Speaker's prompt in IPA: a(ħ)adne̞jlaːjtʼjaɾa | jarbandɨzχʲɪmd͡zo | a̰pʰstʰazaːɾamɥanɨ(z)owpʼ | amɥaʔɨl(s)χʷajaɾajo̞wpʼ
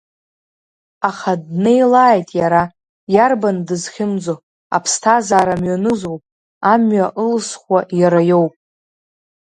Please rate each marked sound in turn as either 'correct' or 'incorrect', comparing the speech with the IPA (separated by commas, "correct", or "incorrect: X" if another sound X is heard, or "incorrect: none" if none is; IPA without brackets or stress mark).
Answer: incorrect: χ, correct, correct